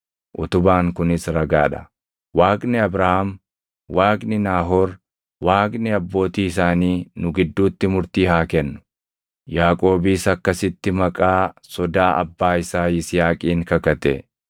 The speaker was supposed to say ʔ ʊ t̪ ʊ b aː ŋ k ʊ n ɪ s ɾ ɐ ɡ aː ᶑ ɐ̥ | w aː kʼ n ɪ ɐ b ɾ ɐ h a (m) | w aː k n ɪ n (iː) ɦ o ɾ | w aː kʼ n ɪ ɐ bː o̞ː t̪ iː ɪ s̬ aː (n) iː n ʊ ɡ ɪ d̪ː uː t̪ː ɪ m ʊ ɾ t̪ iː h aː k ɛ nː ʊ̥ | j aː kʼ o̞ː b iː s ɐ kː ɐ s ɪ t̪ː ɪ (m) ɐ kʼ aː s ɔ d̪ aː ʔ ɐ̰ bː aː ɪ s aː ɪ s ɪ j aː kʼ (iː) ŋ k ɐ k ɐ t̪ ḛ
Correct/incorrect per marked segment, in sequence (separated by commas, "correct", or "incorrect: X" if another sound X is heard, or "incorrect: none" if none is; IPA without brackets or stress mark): correct, incorrect: aː, correct, correct, correct